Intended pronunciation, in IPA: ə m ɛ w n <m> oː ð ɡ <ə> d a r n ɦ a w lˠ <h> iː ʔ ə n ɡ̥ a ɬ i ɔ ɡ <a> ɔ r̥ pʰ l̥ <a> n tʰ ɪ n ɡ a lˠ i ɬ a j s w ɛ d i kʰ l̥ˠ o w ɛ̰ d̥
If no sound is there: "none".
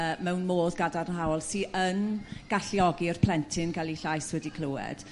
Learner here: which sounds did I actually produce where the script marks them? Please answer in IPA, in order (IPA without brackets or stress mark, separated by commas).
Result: m, a, s, i, ɛ